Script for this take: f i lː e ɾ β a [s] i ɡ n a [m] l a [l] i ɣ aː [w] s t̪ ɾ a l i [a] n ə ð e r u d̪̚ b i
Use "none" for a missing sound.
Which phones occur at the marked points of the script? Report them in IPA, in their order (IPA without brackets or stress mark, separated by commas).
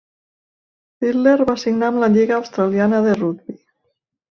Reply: s, m, ʎ, w, a